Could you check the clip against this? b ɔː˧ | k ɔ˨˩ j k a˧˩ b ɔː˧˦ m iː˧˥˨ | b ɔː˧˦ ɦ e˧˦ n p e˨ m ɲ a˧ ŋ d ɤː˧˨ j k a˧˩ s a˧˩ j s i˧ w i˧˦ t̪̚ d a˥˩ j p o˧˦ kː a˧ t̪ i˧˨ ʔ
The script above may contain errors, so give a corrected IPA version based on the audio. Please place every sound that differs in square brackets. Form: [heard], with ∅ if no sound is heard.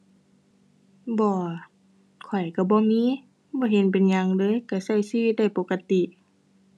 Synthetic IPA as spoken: b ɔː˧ | [kʰ] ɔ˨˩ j k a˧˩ b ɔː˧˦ m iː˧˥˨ | b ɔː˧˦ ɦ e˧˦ n p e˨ [n] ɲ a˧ ŋ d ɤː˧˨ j k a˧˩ s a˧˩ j s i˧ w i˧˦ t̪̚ d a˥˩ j p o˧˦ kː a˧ t̪ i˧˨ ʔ